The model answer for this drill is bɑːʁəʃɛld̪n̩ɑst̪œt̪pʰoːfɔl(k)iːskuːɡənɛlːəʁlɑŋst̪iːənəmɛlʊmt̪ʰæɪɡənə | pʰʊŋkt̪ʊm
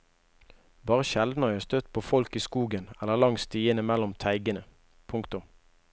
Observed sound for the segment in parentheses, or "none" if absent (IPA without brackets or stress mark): k